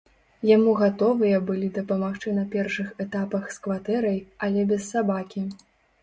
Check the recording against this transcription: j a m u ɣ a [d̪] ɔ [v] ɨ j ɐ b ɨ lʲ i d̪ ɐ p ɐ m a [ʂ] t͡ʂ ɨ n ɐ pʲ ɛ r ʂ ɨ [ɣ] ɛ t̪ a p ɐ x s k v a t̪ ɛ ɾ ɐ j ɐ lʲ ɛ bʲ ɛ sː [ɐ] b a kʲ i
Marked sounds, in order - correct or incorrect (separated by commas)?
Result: incorrect, correct, incorrect, incorrect, incorrect